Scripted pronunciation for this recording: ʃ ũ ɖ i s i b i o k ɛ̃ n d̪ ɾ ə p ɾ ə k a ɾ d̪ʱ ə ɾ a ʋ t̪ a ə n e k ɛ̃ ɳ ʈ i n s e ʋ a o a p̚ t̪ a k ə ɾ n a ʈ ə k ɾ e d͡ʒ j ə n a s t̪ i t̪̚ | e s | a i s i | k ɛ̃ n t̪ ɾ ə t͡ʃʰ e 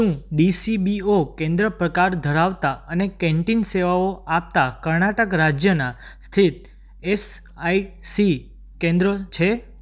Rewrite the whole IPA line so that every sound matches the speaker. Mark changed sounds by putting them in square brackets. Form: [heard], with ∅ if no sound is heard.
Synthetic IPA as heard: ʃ ũ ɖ i s i b i o k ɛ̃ n d̪ ɾ ə p ɾ ə k a ɾ d̪ʱ ə ɾ a ʋ t̪ a ə n e k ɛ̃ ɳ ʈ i n s e ʋ a o a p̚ t̪ a k ə ɾ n a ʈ ə k ɾ [a] d͡ʒ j ə n a s [t̪ʰ] i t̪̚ | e s | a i s i | k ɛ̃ n [d̪] ɾ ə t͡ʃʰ e

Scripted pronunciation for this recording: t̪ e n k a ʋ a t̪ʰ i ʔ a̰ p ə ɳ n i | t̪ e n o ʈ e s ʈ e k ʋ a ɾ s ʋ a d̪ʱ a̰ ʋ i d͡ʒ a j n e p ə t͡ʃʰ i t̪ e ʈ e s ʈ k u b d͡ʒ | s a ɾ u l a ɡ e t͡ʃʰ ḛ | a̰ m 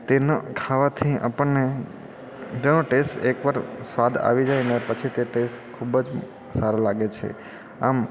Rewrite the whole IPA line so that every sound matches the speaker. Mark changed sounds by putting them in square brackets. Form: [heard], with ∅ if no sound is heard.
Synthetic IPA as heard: t̪ e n [kʰ] a ʋ a t̪ʰ i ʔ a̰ p ə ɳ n [e] | t̪ e n o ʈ e s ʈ e k ʋ a ɾ s ʋ a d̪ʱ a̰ ʋ i d͡ʒ a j n e p ə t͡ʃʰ i t̪ e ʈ e s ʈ [kʰ] u b d͡ʒ | s a ɾ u l a ɡ e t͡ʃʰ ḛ | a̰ m

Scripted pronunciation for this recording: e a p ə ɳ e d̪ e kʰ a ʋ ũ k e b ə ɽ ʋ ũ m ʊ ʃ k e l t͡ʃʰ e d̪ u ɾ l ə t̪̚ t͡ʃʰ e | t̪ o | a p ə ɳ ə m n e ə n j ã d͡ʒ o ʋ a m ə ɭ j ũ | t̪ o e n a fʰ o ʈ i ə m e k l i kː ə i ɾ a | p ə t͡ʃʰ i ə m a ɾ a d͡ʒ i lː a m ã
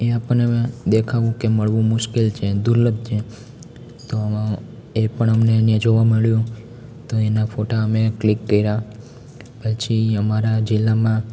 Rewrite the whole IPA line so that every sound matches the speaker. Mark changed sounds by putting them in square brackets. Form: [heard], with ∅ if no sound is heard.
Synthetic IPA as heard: e a p ə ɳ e d̪ e kʰ a ʋ ũ k e [m] ə [ɭ] ʋ ũ m ʊ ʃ k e l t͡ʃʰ e d̪ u ɾ l ə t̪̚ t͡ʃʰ e | t̪ o | [e] p ə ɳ ə m n e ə n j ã d͡ʒ o ʋ a m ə ɭ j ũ | t̪ o e n a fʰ o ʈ [a] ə m e k l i kː ə i ɾ a | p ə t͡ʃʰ i ə m a ɾ a d͡ʒ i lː a m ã

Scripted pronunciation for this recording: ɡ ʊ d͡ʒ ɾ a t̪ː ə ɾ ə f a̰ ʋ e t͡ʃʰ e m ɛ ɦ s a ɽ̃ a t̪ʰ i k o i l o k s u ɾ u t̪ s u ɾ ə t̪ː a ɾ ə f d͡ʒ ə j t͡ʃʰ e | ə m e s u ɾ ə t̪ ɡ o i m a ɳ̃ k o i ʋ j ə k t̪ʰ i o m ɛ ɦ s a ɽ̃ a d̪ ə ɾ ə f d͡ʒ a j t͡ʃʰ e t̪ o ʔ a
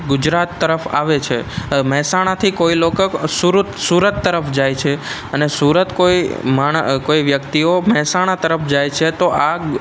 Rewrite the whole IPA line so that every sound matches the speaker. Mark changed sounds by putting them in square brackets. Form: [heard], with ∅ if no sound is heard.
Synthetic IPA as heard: ɡ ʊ d͡ʒ ɾ a t̪ː ə ɾ ə f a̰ ʋ e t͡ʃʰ e m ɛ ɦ s a ɽ̃ a t̪ʰ i k o i l o k s u ɾ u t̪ s u ɾ ə t̪ː [ə] ɾ ə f d͡ʒ [a] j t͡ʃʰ e | ə [n] e s u ɾ ə t̪ [k] o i m a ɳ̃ k o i ʋ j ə k [t̪] i o m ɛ ɦ s a ɽ̃ a [t̪] ə ɾ ə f d͡ʒ a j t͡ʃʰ e t̪ o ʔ a

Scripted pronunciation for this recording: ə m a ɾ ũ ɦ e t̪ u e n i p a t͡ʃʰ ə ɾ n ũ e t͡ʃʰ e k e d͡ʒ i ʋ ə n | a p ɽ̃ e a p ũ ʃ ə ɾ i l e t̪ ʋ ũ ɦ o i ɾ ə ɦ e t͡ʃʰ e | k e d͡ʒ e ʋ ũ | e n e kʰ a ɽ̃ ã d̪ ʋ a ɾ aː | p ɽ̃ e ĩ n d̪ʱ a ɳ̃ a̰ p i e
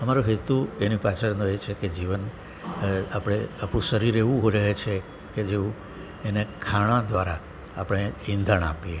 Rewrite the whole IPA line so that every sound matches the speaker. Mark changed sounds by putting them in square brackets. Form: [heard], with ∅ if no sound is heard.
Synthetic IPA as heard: ə m a ɾ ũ ɦ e t̪ u e n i p a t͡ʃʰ ə ɾ n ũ e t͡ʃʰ e k e d͡ʒ i ʋ ə n | a p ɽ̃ e a p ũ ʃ ə ɾ i [ɾ] e [∅] ʋ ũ ɦ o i ɾ ə ɦ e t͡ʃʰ e | k e d͡ʒ e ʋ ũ | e n e kʰ a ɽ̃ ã d̪ ʋ a ɾ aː | p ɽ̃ e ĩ n d̪ʱ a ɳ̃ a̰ p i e

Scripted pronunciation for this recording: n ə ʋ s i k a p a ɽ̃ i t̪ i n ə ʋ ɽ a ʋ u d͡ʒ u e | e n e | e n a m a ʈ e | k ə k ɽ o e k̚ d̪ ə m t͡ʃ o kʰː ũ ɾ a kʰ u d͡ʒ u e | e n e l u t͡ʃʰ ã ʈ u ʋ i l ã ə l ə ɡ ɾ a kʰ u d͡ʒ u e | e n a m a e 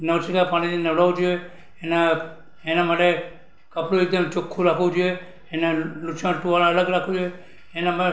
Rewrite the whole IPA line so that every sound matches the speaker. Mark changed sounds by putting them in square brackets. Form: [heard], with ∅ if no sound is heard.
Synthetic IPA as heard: n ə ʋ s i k a p a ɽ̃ i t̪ i n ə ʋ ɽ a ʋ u d͡ʒ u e | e n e | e n a m a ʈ e | k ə [p] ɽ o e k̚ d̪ ə m t͡ʃ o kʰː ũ ɾ a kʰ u d͡ʒ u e | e n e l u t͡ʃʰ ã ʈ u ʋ [a] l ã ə l ə ɡ ɾ a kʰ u d͡ʒ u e | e n a m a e

